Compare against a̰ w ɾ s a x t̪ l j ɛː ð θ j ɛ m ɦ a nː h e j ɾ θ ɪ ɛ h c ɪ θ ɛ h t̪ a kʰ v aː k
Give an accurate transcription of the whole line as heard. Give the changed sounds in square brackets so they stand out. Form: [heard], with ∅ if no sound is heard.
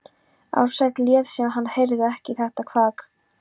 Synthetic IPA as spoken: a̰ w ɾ s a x t̪ l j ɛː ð [s] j ɛ m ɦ a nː h e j ɾ [ð] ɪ ɛ h c ɪ θ ɛ h t̪ a kʰ v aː k

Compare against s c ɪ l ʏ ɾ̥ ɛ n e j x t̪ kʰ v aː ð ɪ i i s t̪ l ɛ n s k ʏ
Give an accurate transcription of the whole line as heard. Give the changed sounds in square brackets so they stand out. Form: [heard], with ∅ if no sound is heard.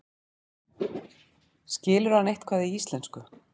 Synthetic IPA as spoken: s c [ɪː] l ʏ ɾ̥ [a] n e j [h] t̪ kʰ v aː ð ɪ i i s t̪ l ɛ n s k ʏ

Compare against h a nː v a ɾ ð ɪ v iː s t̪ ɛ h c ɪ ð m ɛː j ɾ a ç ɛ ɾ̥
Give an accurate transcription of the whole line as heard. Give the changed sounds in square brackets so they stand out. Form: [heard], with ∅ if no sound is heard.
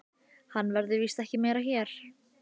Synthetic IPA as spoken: h a nː v [ɛ] ɾ ð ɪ v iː s t̪ ɛ h c ɪ [∅] m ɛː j ɾ a ç ɛ ɾ̥

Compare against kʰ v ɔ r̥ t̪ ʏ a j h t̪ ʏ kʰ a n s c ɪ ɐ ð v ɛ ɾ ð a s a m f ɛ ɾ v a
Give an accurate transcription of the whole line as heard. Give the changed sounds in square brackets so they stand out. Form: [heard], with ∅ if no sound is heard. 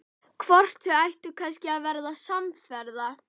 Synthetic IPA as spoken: kʰ v ɔ r̥ t̪ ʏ a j h t̪ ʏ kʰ a n s c ɪ [a] ð v ɛ ɾ ð a s a m f ɛ ɾ [ð] a

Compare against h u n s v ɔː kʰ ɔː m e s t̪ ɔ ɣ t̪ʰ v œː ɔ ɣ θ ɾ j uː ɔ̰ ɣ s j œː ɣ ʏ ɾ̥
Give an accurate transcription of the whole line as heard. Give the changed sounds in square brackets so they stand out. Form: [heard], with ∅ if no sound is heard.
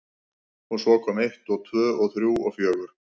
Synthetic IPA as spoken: h u n s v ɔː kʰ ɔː m e [h] t̪ ɔ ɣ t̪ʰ v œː ɔ ɣ θ ɾ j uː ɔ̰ ɣ [f] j œː ɣ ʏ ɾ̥

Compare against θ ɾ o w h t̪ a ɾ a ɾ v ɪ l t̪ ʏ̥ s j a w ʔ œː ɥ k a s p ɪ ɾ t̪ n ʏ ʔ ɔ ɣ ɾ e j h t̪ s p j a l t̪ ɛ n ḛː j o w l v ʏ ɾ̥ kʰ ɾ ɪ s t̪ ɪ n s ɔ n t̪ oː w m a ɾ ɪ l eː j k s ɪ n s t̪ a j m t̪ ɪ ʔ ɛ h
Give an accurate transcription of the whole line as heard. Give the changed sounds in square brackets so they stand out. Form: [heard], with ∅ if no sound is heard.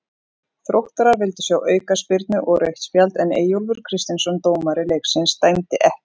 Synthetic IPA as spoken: θ ɾ o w h t̪ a ɾ a ɾ v ɪ l t̪ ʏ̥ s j a w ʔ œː ɥ k a s p ɪ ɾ t̪ n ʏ ʔ ɔ ɣ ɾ e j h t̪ s p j a l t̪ ɛ n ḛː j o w l v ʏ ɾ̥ kʰ ɾ ɪ s t̪ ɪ n s ɔ n t̪ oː w m a ɾ ɪ l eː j k s ɪ n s t̪ a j m t̪ ɪ ʔ ɛ h

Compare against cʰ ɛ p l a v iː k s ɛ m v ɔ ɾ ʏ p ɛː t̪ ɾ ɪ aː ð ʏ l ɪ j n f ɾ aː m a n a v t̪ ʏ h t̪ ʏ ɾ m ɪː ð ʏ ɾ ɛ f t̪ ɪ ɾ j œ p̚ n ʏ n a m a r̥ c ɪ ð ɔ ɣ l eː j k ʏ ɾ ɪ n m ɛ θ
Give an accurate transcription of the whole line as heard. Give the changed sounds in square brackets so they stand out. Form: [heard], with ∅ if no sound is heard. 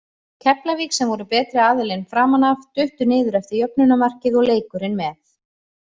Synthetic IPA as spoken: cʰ ɛ p l a v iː k s ɛ m v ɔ ɾ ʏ p ɛː t̪ ɾ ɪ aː ð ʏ l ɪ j n f ɾ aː m a n a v t̪ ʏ h t̪ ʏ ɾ [n] ɪː ð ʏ ɾ ɛ f t̪ ɪ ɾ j œ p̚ n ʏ n a m a r̥ c ɪ ð ɔ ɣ l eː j k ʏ ɾ ɪ n m ɛ θ

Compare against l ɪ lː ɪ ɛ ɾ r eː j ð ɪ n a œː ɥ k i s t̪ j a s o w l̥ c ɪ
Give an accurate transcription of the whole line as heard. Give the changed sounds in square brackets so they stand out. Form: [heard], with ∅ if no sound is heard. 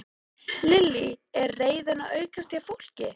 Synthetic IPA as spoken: l ɪ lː [i] ɛ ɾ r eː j ð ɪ n a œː ɥ k [a] s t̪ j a [f] o w l̥ c ɪ

